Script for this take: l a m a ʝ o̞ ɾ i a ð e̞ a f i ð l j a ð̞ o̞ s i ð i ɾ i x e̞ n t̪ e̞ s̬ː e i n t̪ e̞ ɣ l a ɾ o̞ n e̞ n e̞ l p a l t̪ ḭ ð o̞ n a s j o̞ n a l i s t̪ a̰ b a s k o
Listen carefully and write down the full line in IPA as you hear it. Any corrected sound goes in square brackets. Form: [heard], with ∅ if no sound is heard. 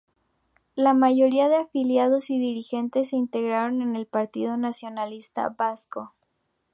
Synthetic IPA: l a m a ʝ o̞ ɾ i a ð e̞ a f i [∅] l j a ð̞ o̞ s i ð i ɾ i x e̞ n t̪ e̞ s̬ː e i n t̪ e̞ ɣ [ɾ] a ɾ o̞ n e̞ n e̞ l p a [ɾ] t̪ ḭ ð o̞ n a s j o̞ n a l i s t̪ a̰ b a s k o